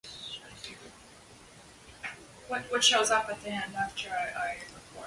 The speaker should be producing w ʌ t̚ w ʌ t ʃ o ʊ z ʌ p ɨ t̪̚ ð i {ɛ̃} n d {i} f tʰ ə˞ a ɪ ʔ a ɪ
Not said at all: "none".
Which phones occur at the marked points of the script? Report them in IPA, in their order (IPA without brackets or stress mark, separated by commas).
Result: ɛ̃, æ